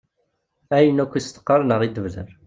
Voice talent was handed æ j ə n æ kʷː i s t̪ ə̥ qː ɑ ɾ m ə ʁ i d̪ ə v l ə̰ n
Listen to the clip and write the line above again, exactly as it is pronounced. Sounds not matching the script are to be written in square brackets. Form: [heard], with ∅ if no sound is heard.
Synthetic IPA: æ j ə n æ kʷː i s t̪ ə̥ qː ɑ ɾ [n] ə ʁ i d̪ ə v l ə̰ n

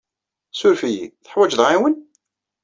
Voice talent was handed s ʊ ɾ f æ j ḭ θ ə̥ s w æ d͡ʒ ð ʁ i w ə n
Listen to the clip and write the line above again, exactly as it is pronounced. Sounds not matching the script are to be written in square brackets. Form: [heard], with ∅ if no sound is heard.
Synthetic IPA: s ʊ ɾ f [i] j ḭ θ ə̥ [ħ] w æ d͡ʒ ð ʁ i w ə n

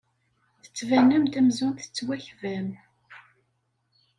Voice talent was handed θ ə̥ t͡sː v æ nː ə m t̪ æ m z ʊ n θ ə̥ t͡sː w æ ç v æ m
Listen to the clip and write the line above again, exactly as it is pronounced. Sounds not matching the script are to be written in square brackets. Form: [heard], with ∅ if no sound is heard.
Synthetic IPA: θ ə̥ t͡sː v æ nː ə m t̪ æ m z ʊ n θ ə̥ t͡sː w æ ç v æ m

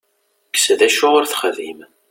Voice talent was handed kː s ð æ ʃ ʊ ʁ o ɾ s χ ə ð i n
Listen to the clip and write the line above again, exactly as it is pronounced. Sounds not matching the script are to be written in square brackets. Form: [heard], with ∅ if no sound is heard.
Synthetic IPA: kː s ð æ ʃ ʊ ʁ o ɾ [θ] χ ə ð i [m]

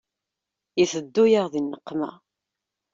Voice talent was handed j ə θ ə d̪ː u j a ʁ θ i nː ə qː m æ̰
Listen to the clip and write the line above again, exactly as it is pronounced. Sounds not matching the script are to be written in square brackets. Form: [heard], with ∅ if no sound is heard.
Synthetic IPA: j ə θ ə d̪ː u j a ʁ [ð] i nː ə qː m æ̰

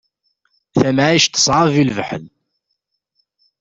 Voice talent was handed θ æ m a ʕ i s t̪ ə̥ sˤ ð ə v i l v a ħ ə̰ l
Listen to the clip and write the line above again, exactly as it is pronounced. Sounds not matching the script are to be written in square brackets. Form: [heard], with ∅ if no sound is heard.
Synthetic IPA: θ æ m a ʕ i [ʃ] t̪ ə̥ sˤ [ʕ] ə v i l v [ə] ħ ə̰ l

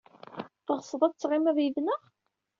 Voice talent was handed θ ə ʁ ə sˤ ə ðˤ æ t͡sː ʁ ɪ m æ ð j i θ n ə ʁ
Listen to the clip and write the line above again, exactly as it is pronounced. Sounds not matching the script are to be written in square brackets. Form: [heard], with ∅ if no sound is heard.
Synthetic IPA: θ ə ʁ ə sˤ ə ðˤ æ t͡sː ʁ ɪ m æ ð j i [ð] n ə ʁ

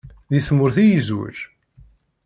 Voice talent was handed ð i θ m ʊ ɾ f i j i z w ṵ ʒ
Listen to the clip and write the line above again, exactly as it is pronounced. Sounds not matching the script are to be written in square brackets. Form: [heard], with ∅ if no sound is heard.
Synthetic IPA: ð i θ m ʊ ɾ [θ] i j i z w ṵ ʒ

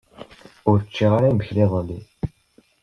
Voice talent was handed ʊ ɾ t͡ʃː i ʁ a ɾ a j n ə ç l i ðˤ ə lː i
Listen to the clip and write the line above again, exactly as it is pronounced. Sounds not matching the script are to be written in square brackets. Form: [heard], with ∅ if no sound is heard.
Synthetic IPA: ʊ ɾ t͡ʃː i ʁ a ɾ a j [m] ə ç l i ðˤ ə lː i

